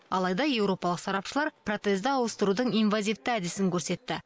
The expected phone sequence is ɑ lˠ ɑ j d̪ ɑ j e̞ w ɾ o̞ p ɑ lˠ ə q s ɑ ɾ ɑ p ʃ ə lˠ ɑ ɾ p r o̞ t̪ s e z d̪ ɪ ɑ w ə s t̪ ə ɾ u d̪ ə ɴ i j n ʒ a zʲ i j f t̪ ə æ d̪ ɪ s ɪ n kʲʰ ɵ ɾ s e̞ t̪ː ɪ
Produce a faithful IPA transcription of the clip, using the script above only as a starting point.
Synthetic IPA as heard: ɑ lˠ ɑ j d̪ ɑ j e̞ w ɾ o̞ p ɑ lˠ ə q s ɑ ɾ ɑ p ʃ ə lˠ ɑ ɾ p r o̞ t̪ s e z d̪ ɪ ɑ w ə s t̪ ə ɾ u d̪ ə ɴ i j n v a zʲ i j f t̪ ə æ d̪ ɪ s ɪ ŋ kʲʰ ɵ ɾ s e̞ t̪ː ɪ